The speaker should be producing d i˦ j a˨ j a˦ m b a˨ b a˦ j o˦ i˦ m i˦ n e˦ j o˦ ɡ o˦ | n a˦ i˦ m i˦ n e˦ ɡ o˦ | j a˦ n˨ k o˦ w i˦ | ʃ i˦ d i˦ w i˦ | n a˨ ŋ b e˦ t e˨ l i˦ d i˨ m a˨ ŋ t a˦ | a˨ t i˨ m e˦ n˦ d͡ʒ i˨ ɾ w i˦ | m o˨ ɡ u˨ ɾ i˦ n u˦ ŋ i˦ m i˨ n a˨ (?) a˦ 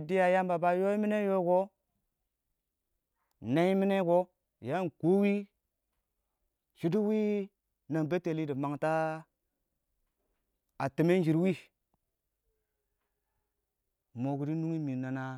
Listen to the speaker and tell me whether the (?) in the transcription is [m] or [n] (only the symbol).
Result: n